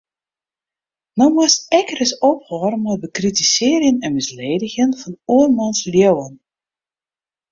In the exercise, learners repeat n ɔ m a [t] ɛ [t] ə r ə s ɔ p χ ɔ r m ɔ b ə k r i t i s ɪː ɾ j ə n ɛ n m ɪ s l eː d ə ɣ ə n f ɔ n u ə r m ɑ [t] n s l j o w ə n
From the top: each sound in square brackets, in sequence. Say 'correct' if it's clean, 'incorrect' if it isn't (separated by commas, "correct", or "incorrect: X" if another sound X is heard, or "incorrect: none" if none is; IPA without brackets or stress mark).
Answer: incorrect: s, incorrect: k, incorrect: none